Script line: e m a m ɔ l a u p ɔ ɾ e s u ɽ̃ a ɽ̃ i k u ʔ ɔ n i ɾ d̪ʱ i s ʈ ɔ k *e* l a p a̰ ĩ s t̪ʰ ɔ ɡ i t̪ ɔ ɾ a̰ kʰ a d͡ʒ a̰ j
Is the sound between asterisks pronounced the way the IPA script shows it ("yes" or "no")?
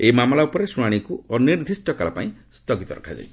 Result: no